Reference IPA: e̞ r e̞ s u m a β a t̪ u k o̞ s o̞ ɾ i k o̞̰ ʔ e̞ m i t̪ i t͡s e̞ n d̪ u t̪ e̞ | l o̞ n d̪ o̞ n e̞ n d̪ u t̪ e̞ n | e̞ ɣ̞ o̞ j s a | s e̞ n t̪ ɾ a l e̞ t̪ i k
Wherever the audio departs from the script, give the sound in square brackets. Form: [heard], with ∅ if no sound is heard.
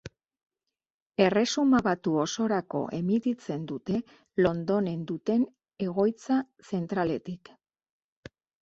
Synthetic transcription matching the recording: e̞ r e̞ s u m a β a t̪ u [∅] o̞ s o̞ ɾ [a] k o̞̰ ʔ e̞ m i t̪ i t͡s e̞ n d̪ u t̪ e̞ | l o̞ n d̪ o̞ n e̞ n d̪ u t̪ e̞ n | e̞ ɣ̞ o̞ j [t͡s] a | s e̞ n t̪ ɾ a l e̞ t̪ i k